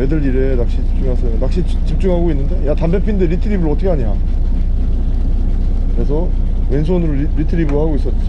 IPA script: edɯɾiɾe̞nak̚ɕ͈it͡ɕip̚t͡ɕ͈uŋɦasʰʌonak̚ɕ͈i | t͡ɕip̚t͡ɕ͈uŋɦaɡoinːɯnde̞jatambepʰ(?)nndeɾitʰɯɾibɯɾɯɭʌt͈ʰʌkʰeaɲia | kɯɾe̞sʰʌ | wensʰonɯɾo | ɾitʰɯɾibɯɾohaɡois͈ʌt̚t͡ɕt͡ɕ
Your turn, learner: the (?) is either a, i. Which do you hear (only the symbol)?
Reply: i